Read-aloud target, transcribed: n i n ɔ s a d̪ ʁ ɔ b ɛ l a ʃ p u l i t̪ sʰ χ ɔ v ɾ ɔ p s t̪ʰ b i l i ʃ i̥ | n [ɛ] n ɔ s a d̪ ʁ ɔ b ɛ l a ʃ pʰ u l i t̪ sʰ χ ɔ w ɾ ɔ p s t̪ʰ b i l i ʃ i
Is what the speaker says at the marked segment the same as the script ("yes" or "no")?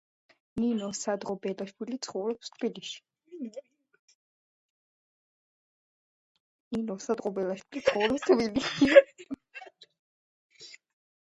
no